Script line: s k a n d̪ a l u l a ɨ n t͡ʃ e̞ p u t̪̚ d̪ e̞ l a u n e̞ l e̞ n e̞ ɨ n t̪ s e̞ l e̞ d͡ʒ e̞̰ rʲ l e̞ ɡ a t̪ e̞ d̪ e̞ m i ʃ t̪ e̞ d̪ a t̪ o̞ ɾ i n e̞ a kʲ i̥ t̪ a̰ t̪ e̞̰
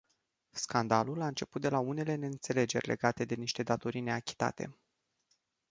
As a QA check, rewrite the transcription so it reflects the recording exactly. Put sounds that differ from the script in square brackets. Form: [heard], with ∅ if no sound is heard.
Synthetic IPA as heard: s k a n d̪ a l u l a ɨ n t͡ʃ e̞ p u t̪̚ d̪ e̞ l a u n e̞ l e̞ n e̞ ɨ n t̪ s e̞ l e̞ d͡ʒ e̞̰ rʲ l e̞ ɡ a t̪ e̞ d̪ e̞ [n] i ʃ t̪ e̞ d̪ a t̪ o̞ ɾ i n e̞ a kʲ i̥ t̪ a̰ t̪ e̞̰